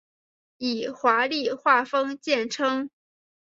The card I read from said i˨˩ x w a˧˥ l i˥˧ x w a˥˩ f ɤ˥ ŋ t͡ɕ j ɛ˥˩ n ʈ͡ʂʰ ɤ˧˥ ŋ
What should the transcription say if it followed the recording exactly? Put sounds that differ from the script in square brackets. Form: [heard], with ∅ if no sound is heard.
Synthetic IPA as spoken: i˨˩ x w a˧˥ l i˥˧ x w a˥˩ f ɤ˥ ŋ t͡ɕ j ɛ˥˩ n ʈ͡ʂʰ [ɤ˥] ŋ